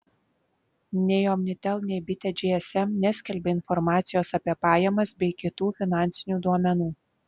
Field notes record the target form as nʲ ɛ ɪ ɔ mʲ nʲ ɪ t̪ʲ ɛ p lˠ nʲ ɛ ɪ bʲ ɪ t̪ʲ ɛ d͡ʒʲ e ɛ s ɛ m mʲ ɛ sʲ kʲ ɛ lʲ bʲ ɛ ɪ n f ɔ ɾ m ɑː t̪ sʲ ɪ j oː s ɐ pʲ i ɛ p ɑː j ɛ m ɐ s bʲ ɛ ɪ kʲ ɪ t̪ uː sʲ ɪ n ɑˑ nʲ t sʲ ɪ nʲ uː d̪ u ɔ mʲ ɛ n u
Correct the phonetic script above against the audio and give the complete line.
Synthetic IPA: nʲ ɛ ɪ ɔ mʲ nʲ ɪ t̪ʲ ɛ lˠ nʲ ɛ ɪ bʲ ɪ t̪ʲ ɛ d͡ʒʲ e ɛ s ɛ m nʲ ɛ sʲ kʲ ɛ lʲ bʲ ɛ ɪ n f ɔ ɾ m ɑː t̪ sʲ ɪ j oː s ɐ pʲ i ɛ p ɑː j ɛ m ɐ s bʲ ɛ ɪ kʲ ɪ t̪ uː fʲ ɪ n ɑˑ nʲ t sʲ ɪ nʲ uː d̪ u ɔ mʲ ɛ n uː